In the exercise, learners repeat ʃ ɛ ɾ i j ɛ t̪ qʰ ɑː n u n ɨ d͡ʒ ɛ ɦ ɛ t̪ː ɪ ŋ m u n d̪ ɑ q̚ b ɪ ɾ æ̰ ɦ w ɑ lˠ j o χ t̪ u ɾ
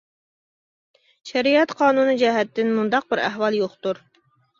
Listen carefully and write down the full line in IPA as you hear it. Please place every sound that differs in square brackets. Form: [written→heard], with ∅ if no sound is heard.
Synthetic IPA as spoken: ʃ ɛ ɾ i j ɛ t̪ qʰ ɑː n u n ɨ d͡ʒ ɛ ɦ ɛ t̪ː ɪ [ŋ→n] m u n d̪ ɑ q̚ b ɪ ɾ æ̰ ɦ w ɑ lˠ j o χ t̪ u ɾ